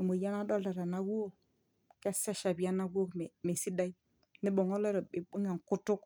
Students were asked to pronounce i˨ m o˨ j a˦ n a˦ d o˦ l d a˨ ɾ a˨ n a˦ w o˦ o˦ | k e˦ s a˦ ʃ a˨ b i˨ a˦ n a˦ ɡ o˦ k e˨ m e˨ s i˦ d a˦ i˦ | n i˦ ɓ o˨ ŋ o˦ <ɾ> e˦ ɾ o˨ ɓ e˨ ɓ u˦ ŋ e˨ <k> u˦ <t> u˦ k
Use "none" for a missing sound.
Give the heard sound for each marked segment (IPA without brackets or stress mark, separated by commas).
l, k, t